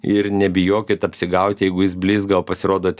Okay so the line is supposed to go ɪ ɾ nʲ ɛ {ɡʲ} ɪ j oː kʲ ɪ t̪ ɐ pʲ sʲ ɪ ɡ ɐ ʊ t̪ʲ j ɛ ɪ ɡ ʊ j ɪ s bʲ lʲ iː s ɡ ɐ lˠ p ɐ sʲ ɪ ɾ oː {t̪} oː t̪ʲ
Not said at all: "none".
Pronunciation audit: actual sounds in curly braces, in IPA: bʲ, d̪

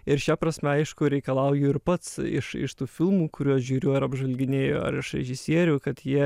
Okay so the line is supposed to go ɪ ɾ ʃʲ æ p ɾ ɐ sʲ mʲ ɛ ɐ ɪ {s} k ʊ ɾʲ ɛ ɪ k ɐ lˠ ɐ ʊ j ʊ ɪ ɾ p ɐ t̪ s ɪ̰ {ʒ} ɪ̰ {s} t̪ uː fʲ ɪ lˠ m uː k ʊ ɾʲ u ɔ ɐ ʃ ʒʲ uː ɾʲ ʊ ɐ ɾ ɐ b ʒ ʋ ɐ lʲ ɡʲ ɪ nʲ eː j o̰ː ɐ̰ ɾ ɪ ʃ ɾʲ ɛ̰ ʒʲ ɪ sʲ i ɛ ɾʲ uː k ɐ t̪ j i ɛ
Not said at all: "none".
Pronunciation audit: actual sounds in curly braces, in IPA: ʃ, ʃ, ʃ

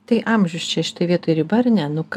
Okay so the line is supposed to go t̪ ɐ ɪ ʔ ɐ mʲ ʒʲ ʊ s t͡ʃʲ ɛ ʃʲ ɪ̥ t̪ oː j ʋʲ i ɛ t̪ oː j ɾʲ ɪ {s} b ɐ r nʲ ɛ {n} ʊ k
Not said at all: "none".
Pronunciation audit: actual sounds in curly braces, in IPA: none, n

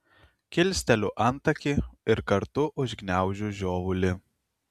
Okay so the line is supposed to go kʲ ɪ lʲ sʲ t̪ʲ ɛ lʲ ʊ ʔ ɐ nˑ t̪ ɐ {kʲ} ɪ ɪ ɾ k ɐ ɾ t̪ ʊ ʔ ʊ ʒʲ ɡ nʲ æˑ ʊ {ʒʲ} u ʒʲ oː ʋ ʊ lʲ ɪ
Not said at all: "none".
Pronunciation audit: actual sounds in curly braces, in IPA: kʲ, ʒʲ

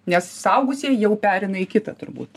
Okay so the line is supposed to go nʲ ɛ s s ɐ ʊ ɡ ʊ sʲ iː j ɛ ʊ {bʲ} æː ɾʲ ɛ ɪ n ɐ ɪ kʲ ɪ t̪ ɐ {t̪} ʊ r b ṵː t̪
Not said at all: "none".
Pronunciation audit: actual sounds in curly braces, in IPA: pʲ, t̪

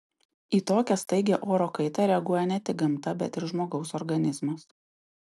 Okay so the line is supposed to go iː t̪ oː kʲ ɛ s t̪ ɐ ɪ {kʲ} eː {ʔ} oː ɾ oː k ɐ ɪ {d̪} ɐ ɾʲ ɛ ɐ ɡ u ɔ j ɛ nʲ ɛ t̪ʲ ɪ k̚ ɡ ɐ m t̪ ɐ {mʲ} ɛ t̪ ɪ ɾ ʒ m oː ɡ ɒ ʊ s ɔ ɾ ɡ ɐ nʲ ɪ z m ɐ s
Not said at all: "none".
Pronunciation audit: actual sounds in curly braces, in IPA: ɡʲ, ʔ, t̪, bʲ

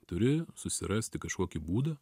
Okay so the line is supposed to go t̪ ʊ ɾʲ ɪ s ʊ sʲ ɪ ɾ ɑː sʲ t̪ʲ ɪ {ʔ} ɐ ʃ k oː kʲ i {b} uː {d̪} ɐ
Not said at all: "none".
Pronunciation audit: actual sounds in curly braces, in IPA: k, b, d̪

